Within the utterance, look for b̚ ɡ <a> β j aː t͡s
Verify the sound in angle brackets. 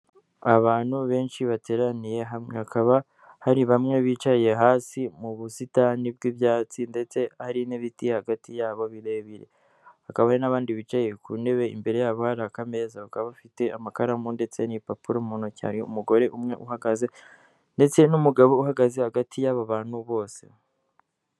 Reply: incorrect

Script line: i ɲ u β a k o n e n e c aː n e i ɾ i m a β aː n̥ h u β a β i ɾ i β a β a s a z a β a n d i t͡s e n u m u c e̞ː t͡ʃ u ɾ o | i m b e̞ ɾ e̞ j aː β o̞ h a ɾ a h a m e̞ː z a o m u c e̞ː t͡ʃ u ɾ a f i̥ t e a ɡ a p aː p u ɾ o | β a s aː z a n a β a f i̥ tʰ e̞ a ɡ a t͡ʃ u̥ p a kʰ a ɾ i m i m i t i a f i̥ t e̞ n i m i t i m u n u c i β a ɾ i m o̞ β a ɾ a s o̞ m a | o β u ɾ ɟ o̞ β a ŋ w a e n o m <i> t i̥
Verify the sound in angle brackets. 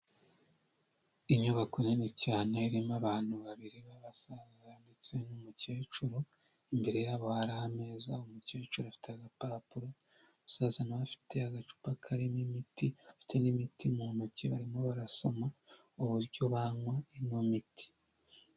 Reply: correct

